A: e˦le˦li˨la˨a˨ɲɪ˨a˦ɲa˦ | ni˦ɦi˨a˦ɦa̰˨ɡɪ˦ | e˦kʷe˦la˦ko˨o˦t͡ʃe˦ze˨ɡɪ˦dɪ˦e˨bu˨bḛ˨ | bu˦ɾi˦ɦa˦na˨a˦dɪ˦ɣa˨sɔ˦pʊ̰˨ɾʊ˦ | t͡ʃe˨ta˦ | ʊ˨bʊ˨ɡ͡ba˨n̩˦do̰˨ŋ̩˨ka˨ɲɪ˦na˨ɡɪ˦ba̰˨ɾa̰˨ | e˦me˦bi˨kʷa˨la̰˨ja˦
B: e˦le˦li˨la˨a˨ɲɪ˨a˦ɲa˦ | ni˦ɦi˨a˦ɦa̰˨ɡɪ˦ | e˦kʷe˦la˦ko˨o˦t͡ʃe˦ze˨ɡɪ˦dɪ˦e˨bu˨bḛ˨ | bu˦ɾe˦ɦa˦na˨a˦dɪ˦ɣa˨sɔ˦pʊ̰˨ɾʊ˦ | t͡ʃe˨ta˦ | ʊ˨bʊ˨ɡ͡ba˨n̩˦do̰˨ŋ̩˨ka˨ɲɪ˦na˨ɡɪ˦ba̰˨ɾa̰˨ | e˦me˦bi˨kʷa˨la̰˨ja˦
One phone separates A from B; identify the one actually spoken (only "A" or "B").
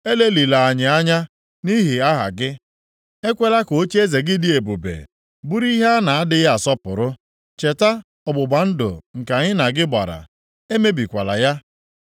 A